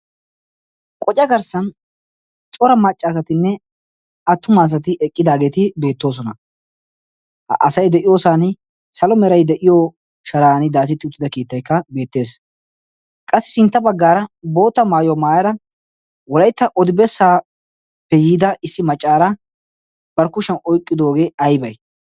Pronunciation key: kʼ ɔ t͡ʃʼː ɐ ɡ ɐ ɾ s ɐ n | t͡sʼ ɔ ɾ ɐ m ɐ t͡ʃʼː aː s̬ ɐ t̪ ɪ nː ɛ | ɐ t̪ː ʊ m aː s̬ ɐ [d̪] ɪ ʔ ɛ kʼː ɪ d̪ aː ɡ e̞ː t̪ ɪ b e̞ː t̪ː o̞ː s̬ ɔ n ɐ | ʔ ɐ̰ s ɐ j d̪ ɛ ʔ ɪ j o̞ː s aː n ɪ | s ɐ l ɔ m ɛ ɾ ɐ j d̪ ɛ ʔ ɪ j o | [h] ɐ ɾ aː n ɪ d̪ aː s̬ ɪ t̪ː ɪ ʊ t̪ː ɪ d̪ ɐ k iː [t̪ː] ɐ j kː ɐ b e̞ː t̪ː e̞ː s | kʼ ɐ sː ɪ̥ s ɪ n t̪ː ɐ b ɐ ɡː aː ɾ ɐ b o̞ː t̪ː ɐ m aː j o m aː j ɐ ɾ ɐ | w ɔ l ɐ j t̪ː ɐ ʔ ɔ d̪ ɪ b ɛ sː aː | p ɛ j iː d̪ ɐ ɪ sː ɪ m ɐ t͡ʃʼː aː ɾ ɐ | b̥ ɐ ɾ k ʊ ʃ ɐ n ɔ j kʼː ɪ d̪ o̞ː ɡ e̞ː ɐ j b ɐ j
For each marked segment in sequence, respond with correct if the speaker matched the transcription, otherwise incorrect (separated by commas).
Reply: incorrect, incorrect, correct